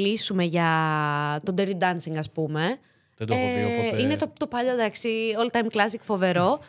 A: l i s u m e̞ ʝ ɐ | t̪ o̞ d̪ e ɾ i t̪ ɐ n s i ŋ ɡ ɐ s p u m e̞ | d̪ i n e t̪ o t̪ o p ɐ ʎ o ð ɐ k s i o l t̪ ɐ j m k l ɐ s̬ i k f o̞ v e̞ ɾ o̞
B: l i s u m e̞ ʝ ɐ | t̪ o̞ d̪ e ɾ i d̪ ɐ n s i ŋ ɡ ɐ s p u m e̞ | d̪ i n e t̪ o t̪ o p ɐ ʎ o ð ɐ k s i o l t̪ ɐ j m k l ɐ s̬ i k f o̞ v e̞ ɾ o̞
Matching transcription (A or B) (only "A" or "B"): B